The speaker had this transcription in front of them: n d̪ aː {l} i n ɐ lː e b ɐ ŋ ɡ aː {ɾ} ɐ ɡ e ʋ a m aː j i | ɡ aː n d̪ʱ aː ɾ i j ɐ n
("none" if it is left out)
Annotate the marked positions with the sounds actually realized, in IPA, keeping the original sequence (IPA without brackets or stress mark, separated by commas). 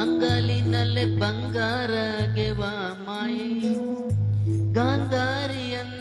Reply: l, ɾ